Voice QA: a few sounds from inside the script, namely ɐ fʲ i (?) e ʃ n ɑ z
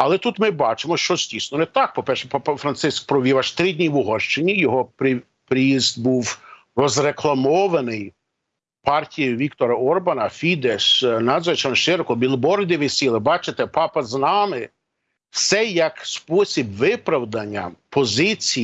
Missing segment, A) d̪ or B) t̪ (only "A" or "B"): A